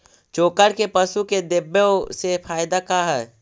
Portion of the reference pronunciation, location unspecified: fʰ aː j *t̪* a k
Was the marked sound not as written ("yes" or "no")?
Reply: yes